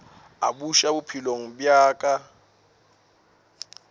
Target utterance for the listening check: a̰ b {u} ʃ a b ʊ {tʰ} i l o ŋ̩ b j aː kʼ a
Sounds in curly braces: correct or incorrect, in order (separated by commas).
correct, incorrect